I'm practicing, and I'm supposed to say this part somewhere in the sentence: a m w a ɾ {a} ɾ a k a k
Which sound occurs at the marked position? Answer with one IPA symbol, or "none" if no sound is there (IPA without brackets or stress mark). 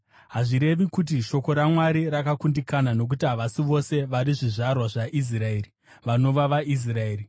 i